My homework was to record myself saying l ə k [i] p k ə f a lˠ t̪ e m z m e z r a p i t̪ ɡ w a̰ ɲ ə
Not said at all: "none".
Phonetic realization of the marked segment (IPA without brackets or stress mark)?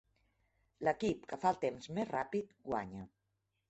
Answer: i